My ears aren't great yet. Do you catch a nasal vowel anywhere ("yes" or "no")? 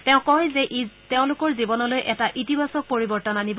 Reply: yes